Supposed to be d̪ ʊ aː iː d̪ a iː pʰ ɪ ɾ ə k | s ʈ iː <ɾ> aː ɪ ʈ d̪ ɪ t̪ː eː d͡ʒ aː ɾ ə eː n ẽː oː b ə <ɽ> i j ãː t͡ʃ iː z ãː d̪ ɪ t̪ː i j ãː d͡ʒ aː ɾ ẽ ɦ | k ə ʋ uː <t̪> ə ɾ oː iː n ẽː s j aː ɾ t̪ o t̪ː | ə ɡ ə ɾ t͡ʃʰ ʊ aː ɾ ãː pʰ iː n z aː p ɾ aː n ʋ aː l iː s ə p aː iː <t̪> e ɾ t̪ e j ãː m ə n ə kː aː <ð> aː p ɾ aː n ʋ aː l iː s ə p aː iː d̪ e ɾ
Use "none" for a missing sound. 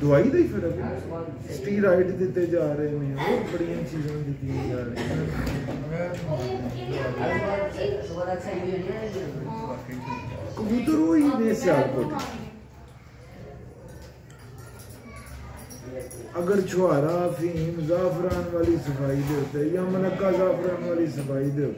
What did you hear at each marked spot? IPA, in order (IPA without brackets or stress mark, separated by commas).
ɾ, ɽ, t̪, d̪, z